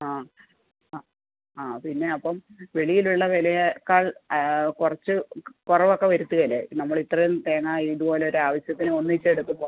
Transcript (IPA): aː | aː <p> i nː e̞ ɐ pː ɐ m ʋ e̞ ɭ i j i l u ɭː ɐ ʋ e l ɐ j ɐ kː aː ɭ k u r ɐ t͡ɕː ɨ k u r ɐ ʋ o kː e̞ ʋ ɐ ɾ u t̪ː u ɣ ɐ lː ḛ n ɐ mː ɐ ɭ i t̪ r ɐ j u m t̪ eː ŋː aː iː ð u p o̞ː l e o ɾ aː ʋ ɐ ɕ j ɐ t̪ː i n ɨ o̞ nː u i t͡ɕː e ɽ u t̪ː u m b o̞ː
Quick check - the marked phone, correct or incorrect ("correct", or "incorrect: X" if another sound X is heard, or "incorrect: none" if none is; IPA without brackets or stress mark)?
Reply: correct